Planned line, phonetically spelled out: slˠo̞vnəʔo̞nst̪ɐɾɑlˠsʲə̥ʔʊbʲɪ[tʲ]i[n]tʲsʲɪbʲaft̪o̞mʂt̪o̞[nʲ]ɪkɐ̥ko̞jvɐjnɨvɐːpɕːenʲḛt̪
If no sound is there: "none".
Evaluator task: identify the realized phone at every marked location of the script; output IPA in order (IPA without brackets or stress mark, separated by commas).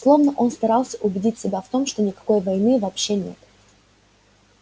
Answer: dʲ, none, nʲ